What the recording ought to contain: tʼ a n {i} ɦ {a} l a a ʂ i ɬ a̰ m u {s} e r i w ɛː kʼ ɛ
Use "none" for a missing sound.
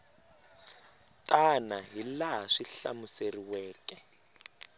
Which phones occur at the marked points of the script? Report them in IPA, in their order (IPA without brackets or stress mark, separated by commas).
a, i, s